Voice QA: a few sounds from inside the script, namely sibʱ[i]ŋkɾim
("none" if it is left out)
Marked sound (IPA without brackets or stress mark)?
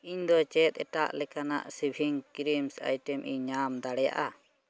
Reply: i